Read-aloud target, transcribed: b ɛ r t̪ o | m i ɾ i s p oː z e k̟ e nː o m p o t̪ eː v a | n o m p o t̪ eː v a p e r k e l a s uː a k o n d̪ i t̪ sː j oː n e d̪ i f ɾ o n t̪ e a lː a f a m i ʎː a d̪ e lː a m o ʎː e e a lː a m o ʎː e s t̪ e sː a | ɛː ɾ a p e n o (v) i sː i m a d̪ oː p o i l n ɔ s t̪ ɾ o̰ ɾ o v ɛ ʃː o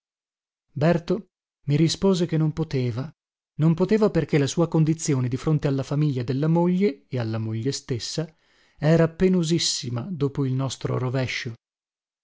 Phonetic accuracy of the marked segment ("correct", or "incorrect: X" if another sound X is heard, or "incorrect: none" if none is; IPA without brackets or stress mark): incorrect: z